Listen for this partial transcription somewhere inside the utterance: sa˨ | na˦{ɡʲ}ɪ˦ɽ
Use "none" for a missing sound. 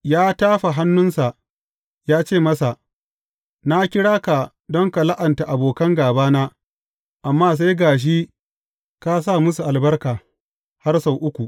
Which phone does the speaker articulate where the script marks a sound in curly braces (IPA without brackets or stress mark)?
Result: kʲ